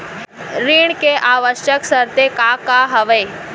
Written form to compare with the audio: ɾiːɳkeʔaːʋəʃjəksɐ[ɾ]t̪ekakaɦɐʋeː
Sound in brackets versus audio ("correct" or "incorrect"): correct